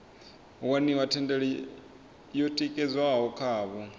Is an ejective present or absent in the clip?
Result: present